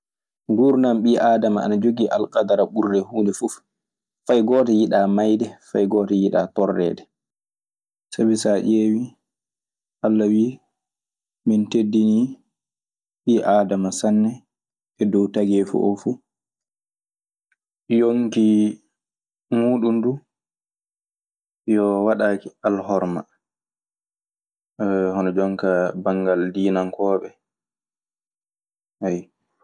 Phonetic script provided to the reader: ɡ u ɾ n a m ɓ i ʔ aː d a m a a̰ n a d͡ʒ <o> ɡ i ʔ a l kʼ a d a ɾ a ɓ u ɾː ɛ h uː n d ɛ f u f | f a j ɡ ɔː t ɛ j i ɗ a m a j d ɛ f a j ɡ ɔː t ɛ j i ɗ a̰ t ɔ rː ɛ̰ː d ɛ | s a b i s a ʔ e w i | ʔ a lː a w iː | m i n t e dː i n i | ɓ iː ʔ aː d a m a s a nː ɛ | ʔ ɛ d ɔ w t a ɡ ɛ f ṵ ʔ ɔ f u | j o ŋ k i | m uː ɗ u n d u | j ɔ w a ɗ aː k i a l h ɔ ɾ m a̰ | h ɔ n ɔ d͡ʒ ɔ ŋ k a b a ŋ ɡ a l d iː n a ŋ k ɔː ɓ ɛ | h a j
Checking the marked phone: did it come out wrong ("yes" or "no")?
no